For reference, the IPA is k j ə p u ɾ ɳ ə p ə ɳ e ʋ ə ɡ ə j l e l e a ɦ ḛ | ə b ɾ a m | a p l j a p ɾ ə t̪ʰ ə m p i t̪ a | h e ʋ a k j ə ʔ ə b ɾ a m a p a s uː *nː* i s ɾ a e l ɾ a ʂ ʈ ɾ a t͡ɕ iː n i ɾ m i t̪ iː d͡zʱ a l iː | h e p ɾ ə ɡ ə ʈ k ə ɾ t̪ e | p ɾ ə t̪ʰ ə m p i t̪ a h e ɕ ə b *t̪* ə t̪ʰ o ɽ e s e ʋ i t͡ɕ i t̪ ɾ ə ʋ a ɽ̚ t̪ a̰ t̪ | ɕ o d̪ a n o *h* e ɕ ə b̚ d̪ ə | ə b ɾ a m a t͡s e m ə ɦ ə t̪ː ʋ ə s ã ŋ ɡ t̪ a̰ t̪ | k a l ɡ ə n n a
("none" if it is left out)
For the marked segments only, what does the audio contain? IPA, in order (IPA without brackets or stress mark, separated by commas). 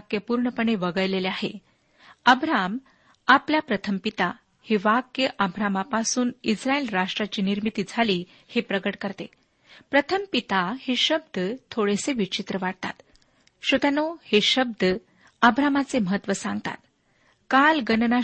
n, d̪, h